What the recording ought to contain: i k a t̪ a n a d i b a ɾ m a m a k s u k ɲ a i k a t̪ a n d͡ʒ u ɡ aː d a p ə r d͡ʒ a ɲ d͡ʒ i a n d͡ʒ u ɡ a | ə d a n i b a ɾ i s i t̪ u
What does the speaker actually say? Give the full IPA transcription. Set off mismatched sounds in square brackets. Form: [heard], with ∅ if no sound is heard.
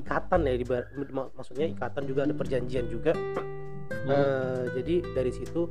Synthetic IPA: i k a t̪ a n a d i b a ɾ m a m a k s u k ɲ a i k a t̪ a n d͡ʒ u ɡ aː d a p ə r d͡ʒ a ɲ d͡ʒ i a n d͡ʒ u ɡ a | ə [d͡ʒ] a [d] i [d] a ɾ i s i t̪ u